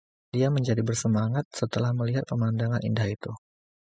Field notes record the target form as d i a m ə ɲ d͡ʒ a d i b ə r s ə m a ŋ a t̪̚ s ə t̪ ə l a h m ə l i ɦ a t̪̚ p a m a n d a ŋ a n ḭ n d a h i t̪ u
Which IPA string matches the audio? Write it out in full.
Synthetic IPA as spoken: d i a m ə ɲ d͡ʒ a d i b ə r s ə m a ŋ a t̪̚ s ə t̪ ə l a h m ə l i ɦ a t̪̚ p ə m a n d a ŋ a n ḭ n d a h i t̪ u

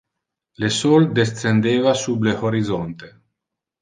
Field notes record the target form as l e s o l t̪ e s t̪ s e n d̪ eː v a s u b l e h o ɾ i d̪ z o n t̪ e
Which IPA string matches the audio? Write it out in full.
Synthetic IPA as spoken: l e s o l d̪ e s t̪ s e n d̪ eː v a s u b l e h o ɾ i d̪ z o n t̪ e

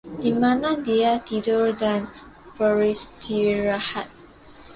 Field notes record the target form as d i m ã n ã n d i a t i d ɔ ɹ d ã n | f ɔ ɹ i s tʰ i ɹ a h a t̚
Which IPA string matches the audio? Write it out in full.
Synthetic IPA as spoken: d i m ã n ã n d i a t i d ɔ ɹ d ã n | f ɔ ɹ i s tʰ i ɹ a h a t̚

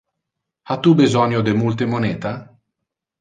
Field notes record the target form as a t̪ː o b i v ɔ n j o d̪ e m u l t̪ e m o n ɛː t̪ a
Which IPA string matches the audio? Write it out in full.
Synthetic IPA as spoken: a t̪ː u b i z ɔ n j o d̪ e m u l t̪ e m o n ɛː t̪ a

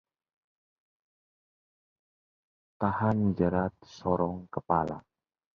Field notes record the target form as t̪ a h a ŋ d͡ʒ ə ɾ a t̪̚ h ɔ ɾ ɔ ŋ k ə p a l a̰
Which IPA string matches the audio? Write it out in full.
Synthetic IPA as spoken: t̪ a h a n d͡ʒ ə ɾ a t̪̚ s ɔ ɾ ɔ ŋ k ə p a l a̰

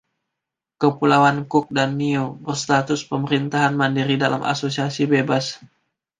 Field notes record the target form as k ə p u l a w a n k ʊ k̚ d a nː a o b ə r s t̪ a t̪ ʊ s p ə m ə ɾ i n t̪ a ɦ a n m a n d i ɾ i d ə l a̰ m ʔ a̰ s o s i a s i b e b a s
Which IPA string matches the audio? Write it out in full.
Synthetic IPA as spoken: k ə p u l a w a n k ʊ k̚ d a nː i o b ə r s t̪ a t̪ ʊ s p ə m ə ɾ i n t̪ a ɦ a n m a n d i ɾ i d a l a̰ m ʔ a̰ s o s i a s i b e b a s

